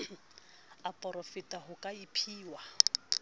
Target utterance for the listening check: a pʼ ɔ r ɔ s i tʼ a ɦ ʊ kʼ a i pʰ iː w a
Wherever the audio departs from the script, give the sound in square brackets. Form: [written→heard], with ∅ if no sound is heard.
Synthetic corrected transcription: a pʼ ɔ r ɔ [s→f] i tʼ a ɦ ʊ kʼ a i pʰ iː w a